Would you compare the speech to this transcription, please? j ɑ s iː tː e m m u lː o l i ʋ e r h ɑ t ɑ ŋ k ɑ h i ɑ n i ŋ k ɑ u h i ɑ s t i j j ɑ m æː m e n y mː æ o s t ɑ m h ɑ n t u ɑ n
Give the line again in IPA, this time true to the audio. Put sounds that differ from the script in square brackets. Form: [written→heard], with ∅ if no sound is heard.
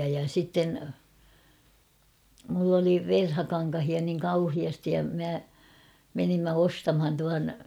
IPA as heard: j ɑ s [iː→i] tː e [m→n] m u lː o l i ʋ e r h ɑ [t→k] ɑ ŋ k ɑ h i ɑ n i ŋ k ɑ u h i ɑ s t i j j ɑ m [æː→æ] m e n [y→i] mː æ o s t ɑ m h ɑ n t u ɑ n